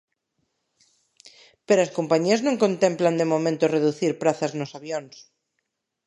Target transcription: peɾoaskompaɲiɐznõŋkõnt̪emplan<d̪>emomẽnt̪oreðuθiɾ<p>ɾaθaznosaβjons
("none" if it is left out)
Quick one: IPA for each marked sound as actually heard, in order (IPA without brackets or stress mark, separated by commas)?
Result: d̪, p